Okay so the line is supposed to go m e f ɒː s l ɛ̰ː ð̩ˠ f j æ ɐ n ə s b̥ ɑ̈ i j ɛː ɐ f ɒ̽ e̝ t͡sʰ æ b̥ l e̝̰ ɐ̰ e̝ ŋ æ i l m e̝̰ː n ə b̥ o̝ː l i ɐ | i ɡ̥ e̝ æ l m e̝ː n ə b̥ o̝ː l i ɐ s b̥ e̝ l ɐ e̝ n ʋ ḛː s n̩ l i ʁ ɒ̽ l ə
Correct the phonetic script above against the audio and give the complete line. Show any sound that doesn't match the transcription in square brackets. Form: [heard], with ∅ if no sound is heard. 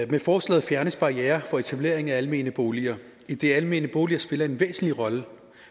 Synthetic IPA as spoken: m e f ɒː s l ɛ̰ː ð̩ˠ f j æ ɐ n ə s b̥ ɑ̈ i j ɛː ɐ f ɒ̽ e̝ t͡sʰ æ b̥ l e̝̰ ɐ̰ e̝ ŋ æ [æ] l m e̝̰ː n ə b̥ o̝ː l i ɐ | i [d̥] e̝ æ l m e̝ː n ə b̥ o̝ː l i ɐ s b̥ e̝ l ɐ e̝ n ʋ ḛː s n̩ l i ʁ ɒ̽ l ə